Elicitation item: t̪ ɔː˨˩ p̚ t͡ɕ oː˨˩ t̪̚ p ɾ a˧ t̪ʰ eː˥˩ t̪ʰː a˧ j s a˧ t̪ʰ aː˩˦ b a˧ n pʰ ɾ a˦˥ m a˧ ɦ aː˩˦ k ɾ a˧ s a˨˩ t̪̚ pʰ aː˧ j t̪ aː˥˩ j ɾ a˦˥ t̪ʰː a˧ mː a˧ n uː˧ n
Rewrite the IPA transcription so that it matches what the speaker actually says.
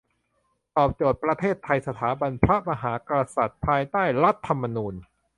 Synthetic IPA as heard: t̪ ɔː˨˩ p̚ t͡ɕ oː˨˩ t̪̚ p ɾ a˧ t̪ʰ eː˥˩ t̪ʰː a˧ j s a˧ t̪ʰ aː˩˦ b a˧ n pʰ ɾ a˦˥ m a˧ ɦ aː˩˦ k ɾ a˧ s a˨˩ t̪̚ pʰ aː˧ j t̪ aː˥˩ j ɾ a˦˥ t̪ʰː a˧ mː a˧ n uː˧ n